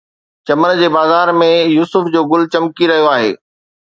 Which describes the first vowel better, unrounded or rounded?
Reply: unrounded